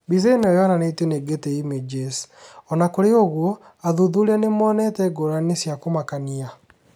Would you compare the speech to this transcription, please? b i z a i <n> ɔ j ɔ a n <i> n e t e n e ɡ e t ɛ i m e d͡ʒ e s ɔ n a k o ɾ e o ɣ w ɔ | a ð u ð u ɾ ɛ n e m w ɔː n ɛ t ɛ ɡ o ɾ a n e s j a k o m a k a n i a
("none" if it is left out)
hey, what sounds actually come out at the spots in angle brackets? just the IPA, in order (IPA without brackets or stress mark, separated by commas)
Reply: n, a